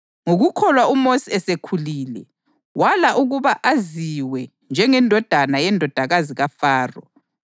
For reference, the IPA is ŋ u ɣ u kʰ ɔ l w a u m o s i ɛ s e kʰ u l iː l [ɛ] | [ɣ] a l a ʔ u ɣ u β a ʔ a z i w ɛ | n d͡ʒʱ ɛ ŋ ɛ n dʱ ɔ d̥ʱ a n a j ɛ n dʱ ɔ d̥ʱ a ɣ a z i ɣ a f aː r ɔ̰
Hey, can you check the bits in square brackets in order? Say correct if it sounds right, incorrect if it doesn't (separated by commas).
correct, incorrect